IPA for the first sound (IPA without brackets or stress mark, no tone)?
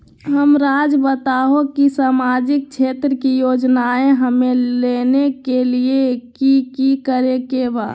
ɦ